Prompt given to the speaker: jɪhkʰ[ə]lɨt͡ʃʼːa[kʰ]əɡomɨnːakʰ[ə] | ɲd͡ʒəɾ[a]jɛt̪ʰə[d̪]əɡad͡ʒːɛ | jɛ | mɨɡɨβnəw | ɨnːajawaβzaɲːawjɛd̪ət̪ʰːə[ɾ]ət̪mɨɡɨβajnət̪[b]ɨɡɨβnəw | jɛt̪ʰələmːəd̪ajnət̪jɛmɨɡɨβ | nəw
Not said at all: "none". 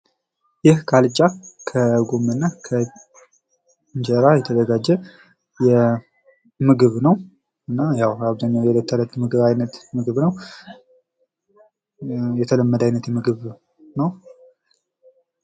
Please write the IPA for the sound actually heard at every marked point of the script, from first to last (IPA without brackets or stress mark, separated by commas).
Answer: a, kʰ, ə, a, d̪, l, m